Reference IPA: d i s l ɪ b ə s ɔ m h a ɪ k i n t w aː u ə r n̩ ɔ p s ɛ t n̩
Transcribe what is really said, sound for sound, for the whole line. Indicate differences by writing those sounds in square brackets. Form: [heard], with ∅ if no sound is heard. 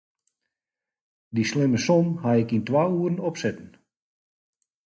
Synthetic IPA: d i s l ɪ [m] ə s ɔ m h a ɪ k i n t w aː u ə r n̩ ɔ p s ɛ t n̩